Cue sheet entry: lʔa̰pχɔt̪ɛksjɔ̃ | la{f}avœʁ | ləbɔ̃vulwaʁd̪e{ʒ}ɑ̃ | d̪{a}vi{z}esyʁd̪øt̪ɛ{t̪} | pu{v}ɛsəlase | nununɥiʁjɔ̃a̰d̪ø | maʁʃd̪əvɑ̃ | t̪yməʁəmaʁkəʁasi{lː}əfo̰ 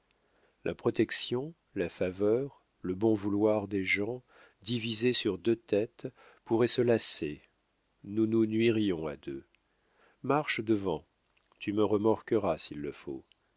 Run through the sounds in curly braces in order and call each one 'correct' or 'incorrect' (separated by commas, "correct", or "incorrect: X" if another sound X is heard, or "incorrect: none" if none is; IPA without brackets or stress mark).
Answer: correct, correct, incorrect: i, correct, correct, incorrect: ʁ, correct